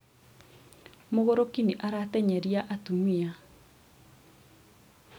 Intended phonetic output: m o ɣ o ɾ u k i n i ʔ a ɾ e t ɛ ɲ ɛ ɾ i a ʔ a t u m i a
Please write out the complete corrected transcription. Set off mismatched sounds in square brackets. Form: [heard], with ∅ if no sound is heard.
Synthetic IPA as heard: m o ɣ o ɾ [o] k i n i ʔ a ɾ [a] t ɛ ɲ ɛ ɾ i a ʔ a t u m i a